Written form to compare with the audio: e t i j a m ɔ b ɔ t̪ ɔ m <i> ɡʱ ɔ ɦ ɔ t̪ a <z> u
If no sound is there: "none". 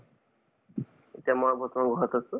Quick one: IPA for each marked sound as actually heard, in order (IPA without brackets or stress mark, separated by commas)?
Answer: a, s